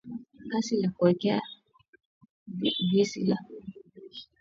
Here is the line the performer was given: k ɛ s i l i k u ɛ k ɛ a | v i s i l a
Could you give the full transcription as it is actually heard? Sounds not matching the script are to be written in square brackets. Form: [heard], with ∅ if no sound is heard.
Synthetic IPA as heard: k [a] s i l [a] k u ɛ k ɛ a | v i s i l a